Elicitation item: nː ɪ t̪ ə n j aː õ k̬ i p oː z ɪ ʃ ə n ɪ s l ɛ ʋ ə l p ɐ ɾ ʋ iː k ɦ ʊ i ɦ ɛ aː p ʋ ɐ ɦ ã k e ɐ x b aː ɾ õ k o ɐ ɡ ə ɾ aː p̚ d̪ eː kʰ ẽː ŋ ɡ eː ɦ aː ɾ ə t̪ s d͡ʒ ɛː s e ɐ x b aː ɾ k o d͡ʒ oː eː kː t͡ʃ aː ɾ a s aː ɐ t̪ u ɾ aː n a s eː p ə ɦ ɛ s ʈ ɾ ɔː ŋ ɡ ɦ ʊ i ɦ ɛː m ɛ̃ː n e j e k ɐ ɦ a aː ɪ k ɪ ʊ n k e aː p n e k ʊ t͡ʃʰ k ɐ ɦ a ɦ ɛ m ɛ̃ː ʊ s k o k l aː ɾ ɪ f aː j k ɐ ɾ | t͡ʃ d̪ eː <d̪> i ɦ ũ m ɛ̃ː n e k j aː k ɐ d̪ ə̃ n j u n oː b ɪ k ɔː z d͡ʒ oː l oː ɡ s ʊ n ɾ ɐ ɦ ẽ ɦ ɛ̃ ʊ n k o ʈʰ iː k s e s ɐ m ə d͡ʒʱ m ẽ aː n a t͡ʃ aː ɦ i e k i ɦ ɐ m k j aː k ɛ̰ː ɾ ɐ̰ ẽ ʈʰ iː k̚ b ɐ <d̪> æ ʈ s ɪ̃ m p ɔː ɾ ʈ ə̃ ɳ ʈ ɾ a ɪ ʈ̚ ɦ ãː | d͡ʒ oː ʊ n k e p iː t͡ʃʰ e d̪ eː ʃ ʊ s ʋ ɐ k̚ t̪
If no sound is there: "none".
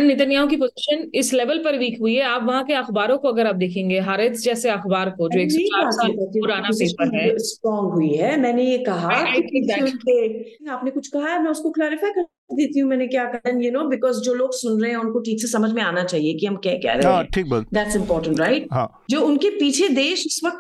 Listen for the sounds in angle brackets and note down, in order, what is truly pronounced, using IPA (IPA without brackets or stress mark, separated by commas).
t̪, d̪